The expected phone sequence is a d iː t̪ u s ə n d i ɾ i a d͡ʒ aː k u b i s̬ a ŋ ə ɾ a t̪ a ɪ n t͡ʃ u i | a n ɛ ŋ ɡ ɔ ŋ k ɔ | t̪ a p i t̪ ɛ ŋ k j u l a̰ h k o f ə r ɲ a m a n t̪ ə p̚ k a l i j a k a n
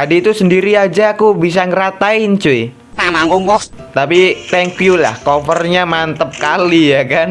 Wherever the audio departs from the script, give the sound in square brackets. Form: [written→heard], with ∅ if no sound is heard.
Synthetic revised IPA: a d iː t̪ u s ə n d i ɾ i a d͡ʒ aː k u b i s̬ a ŋ ə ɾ a t̪ a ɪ n t͡ʃ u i | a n [ɛ→a] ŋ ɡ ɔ ŋ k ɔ | t̪ a p i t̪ ɛ ŋ k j u l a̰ h k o f ə r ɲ a m a n t̪ ə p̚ k a l i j a k a n